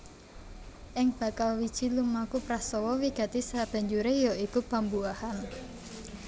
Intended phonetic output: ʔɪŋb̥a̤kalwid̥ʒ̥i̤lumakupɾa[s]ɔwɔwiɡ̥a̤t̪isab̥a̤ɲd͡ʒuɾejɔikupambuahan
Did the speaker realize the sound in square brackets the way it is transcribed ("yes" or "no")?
yes